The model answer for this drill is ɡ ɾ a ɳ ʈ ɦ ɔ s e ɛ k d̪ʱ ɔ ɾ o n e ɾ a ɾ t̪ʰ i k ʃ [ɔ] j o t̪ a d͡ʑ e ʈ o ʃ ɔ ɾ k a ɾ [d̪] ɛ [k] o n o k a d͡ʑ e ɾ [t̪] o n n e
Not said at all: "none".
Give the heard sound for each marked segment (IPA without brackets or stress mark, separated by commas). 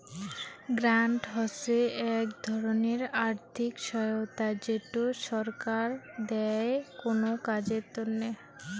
ɔ, d̪, k, t̪